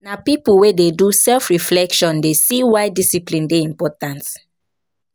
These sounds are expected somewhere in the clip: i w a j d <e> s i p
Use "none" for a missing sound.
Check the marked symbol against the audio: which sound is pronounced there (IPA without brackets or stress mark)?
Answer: i